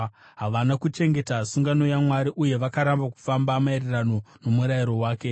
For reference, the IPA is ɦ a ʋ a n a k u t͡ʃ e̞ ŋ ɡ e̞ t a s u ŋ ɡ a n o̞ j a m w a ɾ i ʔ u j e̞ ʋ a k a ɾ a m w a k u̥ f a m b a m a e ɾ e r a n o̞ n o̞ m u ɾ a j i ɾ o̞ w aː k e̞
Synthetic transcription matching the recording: ɦ a ʋ a n a k u t͡ʃ e̞ ŋ ɡ e̞ t a s u ŋ ɡ a n o̞ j a m w a ɾ i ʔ u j e̞ ʋ a k a ɾ a m b a k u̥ f a m b a m a e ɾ e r a n o̞ n o̞ m u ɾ a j i ɾ o̞ w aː k e̞